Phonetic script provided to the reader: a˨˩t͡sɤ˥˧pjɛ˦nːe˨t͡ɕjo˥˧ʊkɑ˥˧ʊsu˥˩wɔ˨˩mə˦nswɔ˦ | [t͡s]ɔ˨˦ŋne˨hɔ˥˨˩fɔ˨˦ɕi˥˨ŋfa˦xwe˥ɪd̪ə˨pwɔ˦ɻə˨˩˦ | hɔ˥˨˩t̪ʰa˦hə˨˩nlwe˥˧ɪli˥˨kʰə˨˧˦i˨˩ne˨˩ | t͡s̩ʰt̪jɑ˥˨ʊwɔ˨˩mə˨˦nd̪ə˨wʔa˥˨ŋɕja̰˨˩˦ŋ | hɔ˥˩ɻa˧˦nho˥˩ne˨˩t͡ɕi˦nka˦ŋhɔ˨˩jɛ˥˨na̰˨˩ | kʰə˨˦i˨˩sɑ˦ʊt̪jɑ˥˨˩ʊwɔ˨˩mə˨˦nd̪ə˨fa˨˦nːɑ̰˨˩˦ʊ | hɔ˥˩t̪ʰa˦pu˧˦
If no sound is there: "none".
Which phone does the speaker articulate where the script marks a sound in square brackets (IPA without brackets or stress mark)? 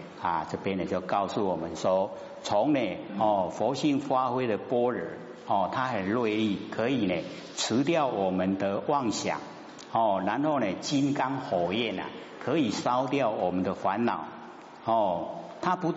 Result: t͡sʰ